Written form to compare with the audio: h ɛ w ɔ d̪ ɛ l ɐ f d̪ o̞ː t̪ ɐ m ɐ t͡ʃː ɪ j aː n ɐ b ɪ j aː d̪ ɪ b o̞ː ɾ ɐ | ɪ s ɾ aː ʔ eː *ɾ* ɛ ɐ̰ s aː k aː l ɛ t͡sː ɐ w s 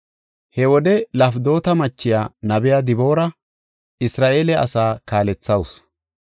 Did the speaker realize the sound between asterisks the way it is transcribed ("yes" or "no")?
no